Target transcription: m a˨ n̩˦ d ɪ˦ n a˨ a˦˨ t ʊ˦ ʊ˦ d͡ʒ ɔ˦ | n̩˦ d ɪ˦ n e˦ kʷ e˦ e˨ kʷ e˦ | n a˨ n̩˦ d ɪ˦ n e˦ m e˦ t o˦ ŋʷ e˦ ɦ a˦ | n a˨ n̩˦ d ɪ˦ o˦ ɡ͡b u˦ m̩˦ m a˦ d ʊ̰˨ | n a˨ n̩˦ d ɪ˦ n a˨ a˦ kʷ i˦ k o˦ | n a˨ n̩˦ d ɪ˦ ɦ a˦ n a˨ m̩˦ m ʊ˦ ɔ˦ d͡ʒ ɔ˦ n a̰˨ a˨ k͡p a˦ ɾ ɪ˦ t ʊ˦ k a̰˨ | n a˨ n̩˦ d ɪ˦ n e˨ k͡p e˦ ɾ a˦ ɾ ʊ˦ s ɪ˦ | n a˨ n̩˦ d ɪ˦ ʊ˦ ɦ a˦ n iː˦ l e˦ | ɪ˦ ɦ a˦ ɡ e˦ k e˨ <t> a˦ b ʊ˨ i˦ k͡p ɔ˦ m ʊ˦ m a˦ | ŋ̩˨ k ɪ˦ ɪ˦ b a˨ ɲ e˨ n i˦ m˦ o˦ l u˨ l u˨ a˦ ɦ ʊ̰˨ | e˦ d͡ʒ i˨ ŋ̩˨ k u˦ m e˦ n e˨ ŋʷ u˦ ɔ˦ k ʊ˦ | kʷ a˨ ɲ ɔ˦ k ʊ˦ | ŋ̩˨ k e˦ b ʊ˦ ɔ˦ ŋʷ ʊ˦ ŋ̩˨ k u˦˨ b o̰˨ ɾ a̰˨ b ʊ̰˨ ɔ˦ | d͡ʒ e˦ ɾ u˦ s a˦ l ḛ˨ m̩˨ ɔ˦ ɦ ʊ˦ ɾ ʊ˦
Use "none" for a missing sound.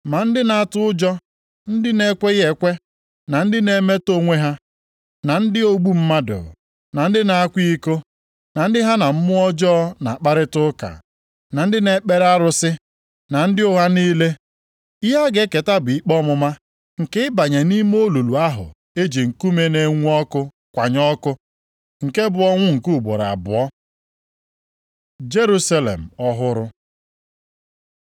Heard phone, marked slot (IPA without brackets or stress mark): t